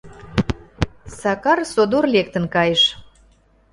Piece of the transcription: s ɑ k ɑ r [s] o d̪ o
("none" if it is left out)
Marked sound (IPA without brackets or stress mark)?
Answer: s